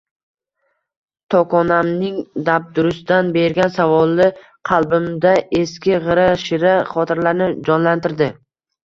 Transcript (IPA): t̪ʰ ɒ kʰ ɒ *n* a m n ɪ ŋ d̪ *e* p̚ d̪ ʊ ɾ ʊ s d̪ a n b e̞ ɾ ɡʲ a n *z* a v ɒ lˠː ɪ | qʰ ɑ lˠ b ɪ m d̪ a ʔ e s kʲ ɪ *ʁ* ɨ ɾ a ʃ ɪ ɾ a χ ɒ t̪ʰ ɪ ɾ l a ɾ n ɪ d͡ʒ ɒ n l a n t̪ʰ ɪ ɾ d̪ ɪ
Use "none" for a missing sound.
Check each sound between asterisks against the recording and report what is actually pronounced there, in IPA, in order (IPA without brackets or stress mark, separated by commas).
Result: n, a, s, ʁ